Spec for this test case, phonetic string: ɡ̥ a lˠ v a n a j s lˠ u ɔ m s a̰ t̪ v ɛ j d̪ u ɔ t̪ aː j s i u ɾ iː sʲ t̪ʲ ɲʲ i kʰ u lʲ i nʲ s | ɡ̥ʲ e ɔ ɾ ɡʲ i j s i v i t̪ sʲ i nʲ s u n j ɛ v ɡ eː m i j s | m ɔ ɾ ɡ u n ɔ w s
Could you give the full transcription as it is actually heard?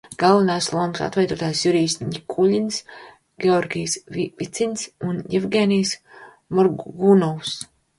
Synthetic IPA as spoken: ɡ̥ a lˠ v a n a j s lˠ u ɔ m s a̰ t̪ v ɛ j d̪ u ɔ t̪ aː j s j u ɾ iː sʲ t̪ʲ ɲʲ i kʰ u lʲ i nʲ s | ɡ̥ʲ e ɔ ɾ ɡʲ i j s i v i t̪ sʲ i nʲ s u n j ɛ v ɡ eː n i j s | m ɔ ɾ ɡ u n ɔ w s